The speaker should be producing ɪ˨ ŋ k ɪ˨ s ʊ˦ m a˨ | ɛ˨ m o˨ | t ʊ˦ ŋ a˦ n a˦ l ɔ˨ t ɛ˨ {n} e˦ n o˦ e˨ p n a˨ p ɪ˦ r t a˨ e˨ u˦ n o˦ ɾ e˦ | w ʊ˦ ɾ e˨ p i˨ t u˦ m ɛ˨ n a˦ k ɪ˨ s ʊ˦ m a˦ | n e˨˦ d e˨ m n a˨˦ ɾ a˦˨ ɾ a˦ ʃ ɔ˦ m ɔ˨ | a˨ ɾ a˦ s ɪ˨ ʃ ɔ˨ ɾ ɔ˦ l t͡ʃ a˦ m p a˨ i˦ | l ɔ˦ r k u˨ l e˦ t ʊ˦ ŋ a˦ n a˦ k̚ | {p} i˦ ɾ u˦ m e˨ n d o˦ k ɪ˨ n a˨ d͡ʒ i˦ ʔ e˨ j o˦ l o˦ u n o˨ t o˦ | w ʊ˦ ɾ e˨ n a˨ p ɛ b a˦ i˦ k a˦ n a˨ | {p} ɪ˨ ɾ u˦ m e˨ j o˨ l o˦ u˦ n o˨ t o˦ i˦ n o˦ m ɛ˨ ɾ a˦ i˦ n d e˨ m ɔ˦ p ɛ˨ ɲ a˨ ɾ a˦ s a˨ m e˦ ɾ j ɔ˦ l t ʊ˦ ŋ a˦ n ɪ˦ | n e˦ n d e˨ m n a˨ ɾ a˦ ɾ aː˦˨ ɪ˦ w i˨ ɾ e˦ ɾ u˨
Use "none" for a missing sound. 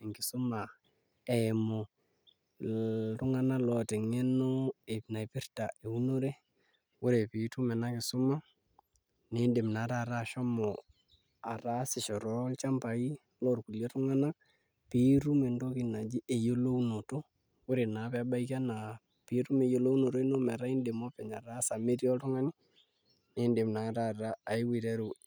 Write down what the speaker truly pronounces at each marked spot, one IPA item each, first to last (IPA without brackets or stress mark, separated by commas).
ŋ, p, p